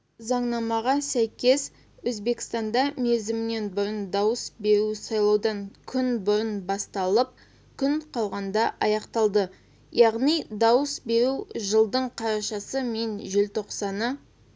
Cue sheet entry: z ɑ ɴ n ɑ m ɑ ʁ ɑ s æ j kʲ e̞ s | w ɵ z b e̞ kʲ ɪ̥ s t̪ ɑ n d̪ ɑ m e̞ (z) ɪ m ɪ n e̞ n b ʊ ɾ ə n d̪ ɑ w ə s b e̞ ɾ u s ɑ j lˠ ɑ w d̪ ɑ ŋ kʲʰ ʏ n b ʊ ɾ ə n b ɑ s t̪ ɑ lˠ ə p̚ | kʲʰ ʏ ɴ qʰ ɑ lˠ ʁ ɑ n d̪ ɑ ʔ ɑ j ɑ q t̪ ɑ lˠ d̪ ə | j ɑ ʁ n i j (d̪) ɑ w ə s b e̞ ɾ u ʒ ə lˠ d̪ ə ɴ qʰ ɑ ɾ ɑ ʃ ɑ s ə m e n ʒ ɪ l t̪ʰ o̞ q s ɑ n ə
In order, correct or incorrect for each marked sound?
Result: correct, correct

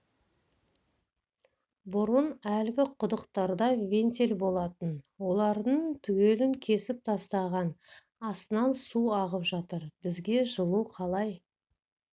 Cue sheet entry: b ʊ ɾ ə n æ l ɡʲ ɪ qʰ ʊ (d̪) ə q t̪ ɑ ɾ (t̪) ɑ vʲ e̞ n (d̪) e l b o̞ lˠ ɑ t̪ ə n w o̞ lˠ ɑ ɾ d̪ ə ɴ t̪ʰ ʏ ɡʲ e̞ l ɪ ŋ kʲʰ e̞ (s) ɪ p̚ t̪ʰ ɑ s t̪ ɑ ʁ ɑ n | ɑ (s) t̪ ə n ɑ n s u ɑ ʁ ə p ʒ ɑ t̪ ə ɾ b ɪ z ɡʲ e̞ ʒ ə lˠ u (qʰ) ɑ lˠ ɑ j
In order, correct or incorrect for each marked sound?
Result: correct, incorrect: d̪, incorrect: t̪, correct, correct, correct

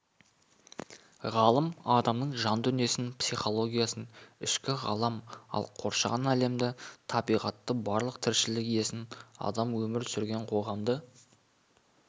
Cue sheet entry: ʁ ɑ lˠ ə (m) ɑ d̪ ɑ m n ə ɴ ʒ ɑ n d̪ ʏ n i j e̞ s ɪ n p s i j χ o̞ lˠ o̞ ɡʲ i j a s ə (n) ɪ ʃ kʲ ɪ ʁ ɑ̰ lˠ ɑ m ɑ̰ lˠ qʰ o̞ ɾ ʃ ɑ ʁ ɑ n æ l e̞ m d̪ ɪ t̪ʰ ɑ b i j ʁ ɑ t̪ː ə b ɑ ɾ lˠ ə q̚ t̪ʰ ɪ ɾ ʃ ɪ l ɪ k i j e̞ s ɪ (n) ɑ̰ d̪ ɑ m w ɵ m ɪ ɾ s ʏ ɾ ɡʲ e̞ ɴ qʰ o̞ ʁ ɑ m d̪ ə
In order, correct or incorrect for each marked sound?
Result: correct, correct, correct

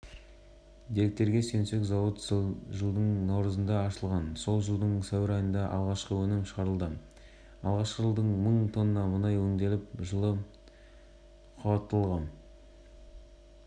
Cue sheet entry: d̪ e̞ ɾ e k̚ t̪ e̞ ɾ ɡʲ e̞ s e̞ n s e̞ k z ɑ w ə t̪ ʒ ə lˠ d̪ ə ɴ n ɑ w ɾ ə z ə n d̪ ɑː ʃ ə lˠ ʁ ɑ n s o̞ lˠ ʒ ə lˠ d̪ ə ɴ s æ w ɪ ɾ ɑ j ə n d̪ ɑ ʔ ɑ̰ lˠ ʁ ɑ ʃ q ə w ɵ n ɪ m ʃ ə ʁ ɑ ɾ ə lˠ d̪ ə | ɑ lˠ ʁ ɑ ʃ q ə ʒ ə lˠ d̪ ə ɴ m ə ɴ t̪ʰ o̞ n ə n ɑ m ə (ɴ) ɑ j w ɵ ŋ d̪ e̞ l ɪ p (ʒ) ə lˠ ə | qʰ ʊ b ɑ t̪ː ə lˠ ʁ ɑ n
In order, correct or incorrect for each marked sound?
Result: incorrect: n, correct

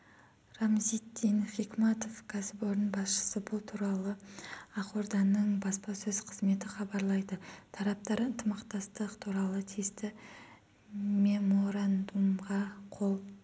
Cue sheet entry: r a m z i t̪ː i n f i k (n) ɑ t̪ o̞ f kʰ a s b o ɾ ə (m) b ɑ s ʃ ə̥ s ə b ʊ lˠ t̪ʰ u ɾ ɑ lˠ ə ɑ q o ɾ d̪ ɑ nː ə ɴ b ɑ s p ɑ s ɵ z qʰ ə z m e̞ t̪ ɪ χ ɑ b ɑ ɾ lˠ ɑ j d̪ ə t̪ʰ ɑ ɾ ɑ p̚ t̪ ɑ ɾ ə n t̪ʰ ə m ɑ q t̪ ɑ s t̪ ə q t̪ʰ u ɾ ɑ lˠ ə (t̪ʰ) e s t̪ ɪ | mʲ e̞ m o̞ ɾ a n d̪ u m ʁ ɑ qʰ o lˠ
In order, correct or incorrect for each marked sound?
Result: incorrect: m, incorrect: n, correct

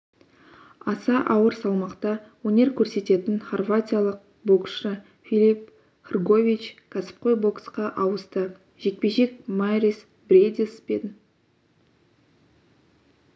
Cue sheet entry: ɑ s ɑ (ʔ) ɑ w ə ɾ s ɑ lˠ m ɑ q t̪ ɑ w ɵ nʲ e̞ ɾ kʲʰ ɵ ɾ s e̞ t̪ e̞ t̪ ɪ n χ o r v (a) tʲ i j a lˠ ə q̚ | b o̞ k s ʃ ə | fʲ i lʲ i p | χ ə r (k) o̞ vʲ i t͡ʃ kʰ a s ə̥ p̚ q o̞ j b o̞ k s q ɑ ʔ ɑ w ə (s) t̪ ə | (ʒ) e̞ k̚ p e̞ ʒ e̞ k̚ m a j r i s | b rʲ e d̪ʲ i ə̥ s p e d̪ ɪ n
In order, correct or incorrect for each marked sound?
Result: correct, correct, incorrect: ɡ, correct, correct

